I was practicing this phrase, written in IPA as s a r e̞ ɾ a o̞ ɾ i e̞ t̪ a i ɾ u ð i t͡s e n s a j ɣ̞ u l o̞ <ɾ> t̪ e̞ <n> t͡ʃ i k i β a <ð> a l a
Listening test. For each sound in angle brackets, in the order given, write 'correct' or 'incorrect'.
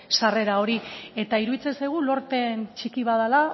correct, correct, correct

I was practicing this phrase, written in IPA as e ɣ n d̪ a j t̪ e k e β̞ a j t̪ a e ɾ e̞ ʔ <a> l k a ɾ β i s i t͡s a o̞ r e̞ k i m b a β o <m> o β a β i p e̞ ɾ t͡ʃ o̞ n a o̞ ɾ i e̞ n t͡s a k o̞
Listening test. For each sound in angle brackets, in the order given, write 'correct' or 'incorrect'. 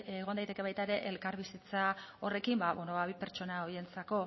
incorrect: e, incorrect: n

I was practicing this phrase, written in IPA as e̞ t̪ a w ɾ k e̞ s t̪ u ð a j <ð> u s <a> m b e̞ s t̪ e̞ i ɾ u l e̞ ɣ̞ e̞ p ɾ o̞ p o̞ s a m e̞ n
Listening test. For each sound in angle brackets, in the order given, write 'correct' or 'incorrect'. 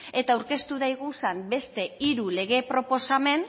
incorrect: ɣ, correct

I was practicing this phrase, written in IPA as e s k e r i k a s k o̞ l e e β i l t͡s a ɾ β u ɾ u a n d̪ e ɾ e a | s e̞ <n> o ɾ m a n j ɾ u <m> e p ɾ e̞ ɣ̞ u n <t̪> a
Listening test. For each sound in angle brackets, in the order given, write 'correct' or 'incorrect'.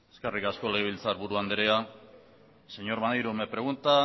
incorrect: ɲ, correct, correct

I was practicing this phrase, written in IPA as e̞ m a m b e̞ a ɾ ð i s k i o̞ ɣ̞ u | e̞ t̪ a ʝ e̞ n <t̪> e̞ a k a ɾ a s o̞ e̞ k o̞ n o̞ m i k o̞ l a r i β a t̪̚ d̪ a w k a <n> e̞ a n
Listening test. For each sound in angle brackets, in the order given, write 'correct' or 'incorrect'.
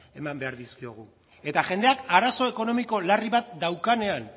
incorrect: d̪, correct

